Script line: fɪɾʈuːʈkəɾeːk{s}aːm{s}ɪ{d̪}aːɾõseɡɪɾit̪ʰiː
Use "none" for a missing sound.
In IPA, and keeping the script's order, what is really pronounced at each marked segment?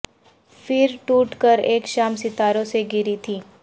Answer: ʃ, s, t̪

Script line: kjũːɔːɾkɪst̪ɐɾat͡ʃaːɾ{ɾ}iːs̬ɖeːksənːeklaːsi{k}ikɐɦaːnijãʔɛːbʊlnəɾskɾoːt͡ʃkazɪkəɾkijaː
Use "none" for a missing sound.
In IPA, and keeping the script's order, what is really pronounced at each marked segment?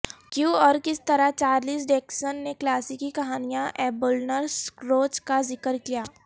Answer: l, k

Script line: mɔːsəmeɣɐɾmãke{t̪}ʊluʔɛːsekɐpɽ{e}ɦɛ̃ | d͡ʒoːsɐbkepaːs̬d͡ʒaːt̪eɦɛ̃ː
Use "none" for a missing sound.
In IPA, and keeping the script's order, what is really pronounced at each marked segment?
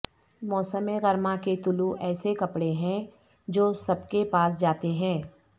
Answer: t̪, e

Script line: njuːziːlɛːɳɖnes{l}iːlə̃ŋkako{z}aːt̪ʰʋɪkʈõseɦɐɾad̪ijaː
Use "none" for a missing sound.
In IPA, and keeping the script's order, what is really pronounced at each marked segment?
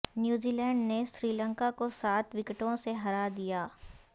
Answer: ɾ, s

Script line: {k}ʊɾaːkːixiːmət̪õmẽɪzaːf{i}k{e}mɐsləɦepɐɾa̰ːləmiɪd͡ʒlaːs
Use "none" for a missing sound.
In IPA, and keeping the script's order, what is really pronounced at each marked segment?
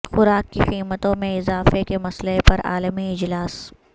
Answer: x, e, e

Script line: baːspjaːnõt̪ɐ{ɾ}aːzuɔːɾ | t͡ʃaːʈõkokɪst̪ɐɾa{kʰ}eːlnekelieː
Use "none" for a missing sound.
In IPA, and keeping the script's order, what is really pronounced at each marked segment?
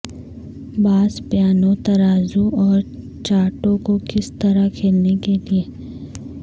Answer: ɾ, kʰ

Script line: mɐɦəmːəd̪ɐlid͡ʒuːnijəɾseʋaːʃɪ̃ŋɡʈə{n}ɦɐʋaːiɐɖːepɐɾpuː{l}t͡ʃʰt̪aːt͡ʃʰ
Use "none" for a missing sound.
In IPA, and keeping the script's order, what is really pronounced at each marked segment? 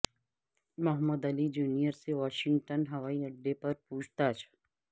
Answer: n, none

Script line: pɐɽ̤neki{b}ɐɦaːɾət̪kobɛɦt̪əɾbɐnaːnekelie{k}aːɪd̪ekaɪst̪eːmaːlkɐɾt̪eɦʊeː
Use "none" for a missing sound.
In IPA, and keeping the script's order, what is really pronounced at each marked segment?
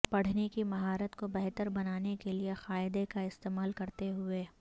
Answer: m, x

